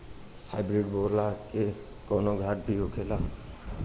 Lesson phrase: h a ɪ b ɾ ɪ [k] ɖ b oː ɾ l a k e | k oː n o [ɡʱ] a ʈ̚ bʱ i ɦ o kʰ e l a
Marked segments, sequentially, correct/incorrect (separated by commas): incorrect, correct